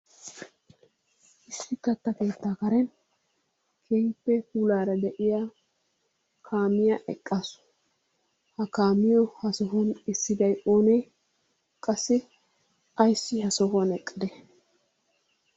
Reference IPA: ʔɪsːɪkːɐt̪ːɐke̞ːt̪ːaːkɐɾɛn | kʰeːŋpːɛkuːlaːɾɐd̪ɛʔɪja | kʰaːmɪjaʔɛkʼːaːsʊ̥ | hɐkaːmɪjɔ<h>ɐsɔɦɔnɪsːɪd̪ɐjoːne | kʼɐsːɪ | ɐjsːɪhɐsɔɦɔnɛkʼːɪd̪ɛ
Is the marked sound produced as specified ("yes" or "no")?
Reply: yes